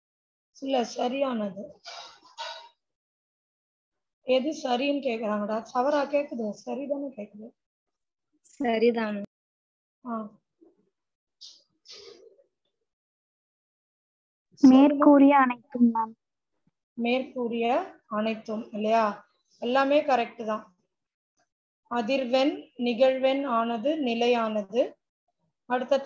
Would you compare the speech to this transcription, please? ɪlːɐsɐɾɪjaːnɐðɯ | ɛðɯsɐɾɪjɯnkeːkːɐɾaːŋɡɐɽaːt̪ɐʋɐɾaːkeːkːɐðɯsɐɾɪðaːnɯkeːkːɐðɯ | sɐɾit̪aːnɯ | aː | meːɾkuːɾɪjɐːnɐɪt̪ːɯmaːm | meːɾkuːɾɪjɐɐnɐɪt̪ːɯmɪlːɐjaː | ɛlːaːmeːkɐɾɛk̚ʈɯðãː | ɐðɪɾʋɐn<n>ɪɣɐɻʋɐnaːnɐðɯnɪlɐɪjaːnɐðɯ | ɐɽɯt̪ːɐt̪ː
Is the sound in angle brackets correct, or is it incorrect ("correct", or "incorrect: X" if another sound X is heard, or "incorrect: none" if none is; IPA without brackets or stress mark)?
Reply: correct